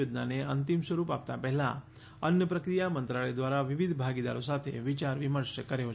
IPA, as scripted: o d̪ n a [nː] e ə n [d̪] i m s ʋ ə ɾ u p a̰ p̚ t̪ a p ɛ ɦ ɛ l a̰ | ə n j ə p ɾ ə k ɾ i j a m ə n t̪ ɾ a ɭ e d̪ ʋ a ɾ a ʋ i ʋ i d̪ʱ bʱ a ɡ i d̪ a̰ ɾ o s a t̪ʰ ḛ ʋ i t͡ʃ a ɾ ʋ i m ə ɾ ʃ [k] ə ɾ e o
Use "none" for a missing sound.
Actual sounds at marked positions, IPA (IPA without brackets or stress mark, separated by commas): n, t̪, k